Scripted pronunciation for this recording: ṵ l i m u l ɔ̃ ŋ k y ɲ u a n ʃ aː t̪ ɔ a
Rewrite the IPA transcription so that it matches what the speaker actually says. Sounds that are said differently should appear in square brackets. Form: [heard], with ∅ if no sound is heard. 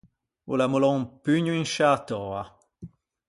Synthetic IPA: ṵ l [a] m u l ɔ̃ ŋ [p] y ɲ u [i] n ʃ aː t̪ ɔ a